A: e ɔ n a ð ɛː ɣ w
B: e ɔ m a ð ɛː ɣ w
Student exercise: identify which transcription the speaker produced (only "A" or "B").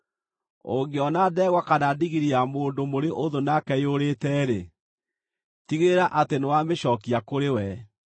A